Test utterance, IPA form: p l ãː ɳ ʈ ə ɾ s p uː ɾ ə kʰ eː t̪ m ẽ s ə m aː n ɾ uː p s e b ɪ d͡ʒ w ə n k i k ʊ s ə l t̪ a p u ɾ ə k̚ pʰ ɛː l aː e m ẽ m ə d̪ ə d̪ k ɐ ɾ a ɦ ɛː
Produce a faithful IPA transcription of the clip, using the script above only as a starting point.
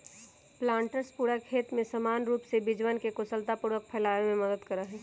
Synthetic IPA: p l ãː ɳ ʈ ə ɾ s p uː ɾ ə kʰ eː t̪ m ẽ s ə m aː n ɾ uː p s e b ɪ d͡ʒ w ə n k e k ʊ s ə l t̪ a p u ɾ ə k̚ pʰ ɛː l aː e m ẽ m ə d̪ ə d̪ k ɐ ɾ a ɦ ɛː